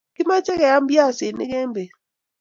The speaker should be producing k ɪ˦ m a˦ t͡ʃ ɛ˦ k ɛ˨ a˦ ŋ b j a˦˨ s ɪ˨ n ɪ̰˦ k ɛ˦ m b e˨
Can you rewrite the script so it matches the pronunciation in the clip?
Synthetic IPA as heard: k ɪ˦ m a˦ t͡ʃ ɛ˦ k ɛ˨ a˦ m b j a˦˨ s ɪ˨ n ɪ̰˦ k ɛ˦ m b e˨